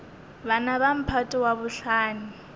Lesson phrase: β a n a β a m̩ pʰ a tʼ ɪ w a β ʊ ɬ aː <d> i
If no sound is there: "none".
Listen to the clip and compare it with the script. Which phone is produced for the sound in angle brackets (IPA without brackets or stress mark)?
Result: n